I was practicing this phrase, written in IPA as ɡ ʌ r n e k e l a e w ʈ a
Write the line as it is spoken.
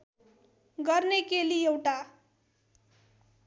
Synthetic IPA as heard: ɡ ʌ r n e k e l i e w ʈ a